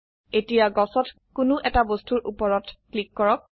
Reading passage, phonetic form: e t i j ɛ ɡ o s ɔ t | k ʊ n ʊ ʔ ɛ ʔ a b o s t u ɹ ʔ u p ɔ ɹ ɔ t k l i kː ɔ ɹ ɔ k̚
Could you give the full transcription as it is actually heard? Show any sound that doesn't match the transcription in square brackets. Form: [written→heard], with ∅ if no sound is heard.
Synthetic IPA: e t i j [ɛ→a] ɡ [o→ɔ] s ɔ t | k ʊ n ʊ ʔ ɛ [ʔ→t] a b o s t u ɹ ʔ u p ɔ ɹ ɔ t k l i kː ɔ ɹ ɔ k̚